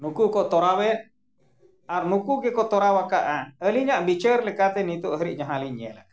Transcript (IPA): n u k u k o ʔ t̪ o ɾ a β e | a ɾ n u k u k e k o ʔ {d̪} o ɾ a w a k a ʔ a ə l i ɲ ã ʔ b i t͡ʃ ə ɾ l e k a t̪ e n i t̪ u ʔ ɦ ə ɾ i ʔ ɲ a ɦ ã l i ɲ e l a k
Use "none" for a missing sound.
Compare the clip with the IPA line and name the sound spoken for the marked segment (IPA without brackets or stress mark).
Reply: t̪